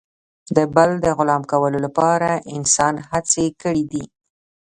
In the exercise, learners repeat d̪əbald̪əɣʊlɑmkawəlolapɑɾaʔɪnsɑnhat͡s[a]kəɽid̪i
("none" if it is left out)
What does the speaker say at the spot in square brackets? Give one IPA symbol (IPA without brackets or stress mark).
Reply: e